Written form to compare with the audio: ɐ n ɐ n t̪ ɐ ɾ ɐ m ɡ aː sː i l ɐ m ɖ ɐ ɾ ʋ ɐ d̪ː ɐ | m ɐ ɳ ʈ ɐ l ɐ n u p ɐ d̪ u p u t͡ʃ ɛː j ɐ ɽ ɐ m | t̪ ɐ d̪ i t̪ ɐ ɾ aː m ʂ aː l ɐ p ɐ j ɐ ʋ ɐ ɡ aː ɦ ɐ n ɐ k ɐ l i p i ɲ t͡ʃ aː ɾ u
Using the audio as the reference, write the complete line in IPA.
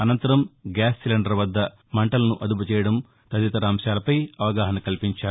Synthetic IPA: ɐ n ɐ n t̪ ɐ ɾ ɐ m ɡ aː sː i l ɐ ɳ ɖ ɐ ɾ ʋ ɐ d̪ː ɐ | m ɐ ɳ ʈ ɐ l ɐ n u ʔ ɐ d̪ u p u t͡ʃ ɛː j ɐ ɽ ɐ m | t̪ ɐ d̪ i t̪ ɐ ɾ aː m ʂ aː l ɐ p ɐ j ɐ ʋ ɐ ɡ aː ɦ ɐ n ɐ k ɐ l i p i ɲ t͡ʃ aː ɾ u

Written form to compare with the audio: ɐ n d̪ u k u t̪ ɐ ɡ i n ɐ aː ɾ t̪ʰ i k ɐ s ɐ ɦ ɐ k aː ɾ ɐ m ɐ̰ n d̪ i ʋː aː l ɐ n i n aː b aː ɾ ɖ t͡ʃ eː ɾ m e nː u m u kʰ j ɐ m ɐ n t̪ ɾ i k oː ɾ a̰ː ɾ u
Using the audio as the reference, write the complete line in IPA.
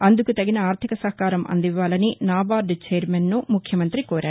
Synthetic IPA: ɐ n d̪ u k u t̪ ɐ ɡ i n ɐ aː ɾ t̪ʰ i k ɐ s ɐ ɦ ɐ k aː ɾ ɐ m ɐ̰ n d̪ i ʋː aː l ɐ n i n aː b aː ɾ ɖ t͡ʃ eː ɾ m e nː u m u kʰ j ɐ m ɐ n t̪ ɾ i k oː ɾ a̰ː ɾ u

